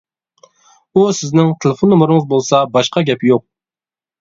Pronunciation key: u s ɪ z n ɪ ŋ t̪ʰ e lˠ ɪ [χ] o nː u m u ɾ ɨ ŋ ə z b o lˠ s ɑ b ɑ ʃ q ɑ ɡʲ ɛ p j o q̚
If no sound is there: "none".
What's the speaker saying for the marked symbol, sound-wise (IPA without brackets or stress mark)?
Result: f